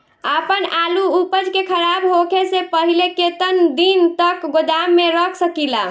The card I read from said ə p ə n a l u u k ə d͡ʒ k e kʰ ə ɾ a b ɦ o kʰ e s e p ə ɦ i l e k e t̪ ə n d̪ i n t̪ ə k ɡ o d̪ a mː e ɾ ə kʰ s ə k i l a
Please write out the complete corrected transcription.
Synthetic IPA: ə p ə n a l u u p ə d͡ʒ k e kʰ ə ɾ a b ɦ o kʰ e s e p ə ɦ i l e k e t̪ ə n d̪ i n t̪ ə k ɡ o d̪ a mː e ɾ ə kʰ s ə k i l a

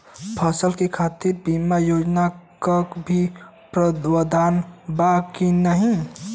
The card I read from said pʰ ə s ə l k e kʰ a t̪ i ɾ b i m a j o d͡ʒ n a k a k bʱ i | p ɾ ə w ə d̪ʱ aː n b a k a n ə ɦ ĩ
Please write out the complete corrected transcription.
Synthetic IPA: pʰ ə s ə l k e kʰ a t̪ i ɾ b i m a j o d͡ʒ n a k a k bʱ i | p ɾ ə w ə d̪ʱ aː n b a k i n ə ɦ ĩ

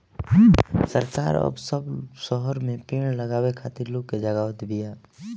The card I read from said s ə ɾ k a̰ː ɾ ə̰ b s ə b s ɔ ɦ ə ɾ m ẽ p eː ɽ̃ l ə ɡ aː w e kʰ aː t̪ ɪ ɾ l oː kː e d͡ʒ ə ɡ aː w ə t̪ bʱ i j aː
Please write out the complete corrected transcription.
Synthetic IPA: s ə ɾ k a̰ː ɾ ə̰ b s ə b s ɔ ɦ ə ɾ m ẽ p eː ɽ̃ l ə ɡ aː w e kʰ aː t̪ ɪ ɾ l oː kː e d͡ʒ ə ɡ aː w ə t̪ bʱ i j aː

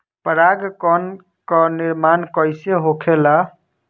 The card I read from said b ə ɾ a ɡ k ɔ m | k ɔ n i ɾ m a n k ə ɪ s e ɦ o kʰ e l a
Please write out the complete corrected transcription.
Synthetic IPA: p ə ɾ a ɡ k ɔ n | k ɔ n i ɾ m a n k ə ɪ s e ɦ o kʰ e l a

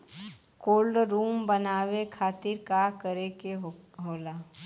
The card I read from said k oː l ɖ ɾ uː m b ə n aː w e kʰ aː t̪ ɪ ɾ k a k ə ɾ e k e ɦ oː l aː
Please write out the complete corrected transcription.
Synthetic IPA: k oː l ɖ ɾ uː m b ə n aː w e kʰ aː t̪ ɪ ɾ k a k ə ɾ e k e ɦ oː l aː

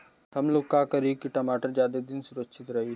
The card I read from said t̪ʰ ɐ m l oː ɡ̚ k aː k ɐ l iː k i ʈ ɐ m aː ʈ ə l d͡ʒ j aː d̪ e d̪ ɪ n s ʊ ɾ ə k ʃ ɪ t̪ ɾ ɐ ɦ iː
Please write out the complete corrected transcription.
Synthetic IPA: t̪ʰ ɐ m l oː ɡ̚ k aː k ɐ ɾ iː k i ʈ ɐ m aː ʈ ə ɾ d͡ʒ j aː d̪ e d̪ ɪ n s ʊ ɾ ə k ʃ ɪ t̪ ɾ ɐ ɦ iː

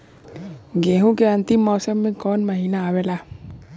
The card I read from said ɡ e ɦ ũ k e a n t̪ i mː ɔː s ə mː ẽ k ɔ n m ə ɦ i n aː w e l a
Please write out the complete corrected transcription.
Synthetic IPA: ɡ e ɦ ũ k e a n t̪ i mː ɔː s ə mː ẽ k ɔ n m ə ɦ i n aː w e l a

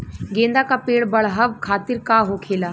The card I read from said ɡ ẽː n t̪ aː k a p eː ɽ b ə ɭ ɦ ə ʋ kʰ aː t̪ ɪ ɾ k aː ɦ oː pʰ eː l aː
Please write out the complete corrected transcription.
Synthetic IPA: ɡ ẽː n d̪ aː k a p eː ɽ b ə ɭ ɦ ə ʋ kʰ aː t̪ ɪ ɾ k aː ɦ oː kʰ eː l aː

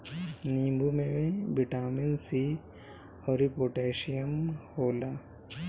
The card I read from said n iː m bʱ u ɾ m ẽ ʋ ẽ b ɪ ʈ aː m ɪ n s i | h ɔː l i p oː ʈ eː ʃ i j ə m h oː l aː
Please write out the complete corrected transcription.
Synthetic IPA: n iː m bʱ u m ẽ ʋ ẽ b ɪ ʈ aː m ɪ n s i | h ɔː ɾ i p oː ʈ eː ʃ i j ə m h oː l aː

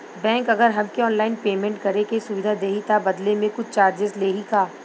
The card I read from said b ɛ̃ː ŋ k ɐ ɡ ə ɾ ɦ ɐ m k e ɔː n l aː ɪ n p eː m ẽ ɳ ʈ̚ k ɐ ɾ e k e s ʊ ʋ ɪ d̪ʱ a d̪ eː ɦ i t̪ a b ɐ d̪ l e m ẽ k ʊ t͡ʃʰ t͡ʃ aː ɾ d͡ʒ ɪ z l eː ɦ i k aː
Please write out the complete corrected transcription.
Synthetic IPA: b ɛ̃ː ŋ k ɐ ɡ ə ɾ ɦ ɐ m k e ɔː n l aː ɪ n p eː m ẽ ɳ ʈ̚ k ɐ ɾ e k e s ʊ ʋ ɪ d̪ʱ a d̪ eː ɦ i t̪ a b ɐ d̪ l e m ẽ k ʊ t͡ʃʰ t͡ʃ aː ɾ d͡ʒ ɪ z l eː ɦ i k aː

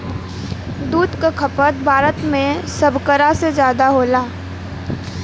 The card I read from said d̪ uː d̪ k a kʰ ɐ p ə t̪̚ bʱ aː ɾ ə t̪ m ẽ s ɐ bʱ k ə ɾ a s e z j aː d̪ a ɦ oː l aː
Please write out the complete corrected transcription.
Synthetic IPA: d̪ uː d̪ k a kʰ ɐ p ə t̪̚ bʱ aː ɾ ə t̪ m ẽ s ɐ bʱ k ə ɾ a s e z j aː d̪ a ɦ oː l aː

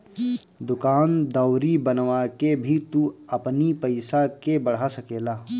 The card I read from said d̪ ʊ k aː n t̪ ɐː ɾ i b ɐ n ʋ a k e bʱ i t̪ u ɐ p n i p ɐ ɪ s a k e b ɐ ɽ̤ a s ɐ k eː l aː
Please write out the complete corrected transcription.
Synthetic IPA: d̪ ʊ k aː n d̪ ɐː ɾ i b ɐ n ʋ a k e bʱ i t̪ u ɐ p n i p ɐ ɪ s a k e b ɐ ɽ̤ a s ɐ k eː l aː

